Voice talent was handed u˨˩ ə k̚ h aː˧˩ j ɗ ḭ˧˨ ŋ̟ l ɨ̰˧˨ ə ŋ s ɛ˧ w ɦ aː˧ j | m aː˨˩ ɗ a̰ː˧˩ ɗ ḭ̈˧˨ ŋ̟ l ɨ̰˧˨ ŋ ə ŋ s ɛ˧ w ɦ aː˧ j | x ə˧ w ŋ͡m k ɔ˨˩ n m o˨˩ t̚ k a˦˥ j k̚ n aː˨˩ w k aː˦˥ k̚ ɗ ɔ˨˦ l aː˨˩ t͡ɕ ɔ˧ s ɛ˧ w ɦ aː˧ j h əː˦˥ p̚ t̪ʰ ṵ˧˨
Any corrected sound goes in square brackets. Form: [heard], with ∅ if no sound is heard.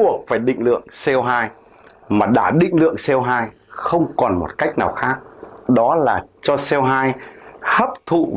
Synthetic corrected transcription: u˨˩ ə k̚ [f] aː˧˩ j ɗ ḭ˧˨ ŋ̟ l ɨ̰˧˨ ə ŋ s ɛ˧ w ɦ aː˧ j | m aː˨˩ ɗ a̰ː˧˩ ɗ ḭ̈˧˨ ŋ̟ l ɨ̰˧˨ [∅] ə ŋ s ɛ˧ w ɦ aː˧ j | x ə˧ w ŋ͡m k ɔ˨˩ n m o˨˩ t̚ k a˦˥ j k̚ n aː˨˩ w [x] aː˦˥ k̚ ɗ ɔ˨˦ l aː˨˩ t͡ɕ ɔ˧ s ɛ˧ w ɦ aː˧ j h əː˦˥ p̚ t̪ʰ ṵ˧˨